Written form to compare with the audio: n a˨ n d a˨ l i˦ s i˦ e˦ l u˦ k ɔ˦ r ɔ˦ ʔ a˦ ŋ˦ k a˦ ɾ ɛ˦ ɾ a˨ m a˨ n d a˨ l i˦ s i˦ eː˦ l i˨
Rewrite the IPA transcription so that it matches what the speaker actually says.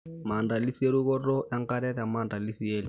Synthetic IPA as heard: m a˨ n d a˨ l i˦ s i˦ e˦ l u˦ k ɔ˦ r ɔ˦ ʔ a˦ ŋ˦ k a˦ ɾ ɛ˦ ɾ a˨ m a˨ n d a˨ l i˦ s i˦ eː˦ l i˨